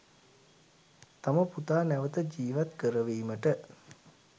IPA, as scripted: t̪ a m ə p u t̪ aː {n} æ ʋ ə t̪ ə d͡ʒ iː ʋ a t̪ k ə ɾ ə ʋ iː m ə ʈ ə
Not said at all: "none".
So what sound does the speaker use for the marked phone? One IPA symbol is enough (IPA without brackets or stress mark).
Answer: n